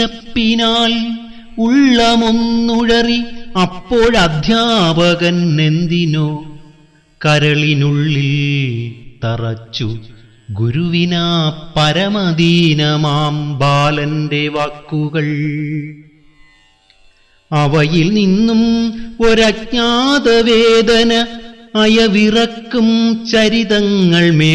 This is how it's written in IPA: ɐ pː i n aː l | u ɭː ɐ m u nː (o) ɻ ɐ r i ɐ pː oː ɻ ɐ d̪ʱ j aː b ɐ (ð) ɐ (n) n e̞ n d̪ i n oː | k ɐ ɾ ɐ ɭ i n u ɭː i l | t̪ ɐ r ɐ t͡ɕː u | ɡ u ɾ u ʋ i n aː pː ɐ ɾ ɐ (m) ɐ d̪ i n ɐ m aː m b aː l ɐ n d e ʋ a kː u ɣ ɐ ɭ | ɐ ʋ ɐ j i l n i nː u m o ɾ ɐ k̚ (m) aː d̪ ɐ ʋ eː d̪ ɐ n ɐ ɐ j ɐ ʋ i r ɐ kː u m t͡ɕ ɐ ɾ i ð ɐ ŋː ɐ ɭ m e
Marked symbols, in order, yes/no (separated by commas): no, no, yes, yes, no